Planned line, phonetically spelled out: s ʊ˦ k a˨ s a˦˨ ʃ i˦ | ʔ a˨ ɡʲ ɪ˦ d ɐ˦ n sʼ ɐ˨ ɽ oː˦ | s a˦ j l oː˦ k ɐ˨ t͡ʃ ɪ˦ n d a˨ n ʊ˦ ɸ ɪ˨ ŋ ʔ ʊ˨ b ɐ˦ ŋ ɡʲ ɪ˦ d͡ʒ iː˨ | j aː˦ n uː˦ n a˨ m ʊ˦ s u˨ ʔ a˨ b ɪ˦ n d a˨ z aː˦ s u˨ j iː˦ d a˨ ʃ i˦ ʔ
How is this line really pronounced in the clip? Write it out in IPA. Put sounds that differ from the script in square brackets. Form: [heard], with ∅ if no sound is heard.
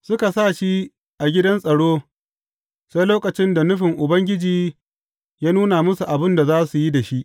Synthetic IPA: s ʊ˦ k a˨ s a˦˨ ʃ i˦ | ʔ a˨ ɡʲ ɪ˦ d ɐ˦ n sʼ ɐ˨ ɽ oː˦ | s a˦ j l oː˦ k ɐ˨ t͡ʃ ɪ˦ n d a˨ n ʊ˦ ɸ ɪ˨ ŋ ʔ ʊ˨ b ɐ˦ ŋ ɡʲ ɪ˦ d͡ʒ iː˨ | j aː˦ n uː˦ n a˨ m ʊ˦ s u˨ ʔ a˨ b ɪ˦ n d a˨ z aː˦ s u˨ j [i˦] d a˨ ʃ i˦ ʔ